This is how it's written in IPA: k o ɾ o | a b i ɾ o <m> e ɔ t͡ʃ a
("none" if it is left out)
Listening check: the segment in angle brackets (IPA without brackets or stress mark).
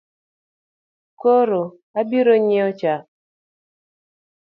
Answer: ɲ